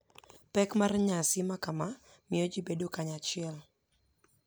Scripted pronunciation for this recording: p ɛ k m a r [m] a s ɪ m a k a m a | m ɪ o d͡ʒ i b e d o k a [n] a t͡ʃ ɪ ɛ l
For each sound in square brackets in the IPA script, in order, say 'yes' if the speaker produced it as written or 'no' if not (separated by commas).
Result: no, no